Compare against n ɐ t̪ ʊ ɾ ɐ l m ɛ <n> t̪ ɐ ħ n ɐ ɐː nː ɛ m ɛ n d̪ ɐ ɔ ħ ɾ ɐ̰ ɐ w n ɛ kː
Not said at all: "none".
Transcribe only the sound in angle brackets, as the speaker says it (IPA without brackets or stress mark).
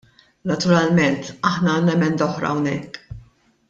n